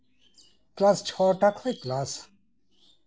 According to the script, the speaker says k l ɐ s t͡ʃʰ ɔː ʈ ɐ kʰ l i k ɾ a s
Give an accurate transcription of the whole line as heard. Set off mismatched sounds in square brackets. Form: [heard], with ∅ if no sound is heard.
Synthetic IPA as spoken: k l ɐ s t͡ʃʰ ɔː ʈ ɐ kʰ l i k [l] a s